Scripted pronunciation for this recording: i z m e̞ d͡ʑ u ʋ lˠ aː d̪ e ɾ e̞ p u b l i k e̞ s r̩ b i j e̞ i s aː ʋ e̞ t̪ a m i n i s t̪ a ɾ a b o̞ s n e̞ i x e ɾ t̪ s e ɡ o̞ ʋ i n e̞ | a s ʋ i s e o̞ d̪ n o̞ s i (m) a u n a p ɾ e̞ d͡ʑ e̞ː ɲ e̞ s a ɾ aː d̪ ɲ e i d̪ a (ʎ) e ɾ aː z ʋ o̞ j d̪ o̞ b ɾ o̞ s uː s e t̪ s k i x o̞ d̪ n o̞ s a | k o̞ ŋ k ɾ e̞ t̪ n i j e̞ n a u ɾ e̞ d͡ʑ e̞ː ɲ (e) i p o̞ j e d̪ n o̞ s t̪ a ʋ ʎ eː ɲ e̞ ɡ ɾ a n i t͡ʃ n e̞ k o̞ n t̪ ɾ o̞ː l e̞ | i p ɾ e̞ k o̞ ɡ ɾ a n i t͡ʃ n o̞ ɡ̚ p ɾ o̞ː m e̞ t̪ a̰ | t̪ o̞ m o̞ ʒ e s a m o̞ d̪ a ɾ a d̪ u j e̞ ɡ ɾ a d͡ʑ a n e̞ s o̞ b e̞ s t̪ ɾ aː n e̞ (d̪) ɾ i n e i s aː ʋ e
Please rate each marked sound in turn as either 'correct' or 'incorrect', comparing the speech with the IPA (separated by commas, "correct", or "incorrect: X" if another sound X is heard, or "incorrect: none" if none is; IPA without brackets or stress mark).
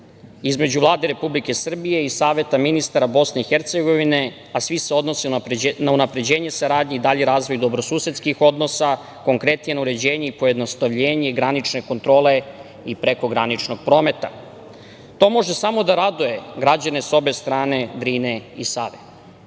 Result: incorrect: n, correct, correct, correct